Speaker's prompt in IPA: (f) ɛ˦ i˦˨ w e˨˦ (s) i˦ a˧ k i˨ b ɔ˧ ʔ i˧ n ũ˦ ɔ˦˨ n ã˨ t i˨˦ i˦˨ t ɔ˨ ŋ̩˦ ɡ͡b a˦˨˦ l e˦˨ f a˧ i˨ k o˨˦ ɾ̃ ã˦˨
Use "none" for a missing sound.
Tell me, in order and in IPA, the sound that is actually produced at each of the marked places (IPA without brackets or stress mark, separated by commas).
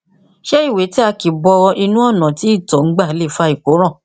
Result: ʃ, t